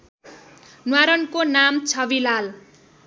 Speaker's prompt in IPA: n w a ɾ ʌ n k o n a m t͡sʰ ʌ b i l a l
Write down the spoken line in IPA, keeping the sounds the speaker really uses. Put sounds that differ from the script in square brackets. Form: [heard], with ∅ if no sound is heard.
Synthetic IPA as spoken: n w a ɾ ʌ n k o n a m t͡sʰ ʌ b i l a l